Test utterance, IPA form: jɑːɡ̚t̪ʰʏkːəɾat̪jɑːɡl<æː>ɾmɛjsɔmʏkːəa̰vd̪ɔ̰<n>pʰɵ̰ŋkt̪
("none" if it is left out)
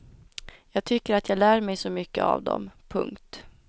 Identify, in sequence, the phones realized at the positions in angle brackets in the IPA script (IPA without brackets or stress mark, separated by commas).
æː, m